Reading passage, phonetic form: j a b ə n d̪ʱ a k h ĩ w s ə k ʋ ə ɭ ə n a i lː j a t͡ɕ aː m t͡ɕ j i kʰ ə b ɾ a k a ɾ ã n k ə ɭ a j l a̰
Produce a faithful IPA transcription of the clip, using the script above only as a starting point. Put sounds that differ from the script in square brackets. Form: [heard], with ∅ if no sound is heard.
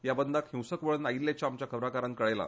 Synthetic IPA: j a b ə n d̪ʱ a k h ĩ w s ə k ʋ ə ɭ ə n a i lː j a t͡ɕ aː m t͡ɕ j [a] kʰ ə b ɾ a k a ɾ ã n k ə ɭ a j l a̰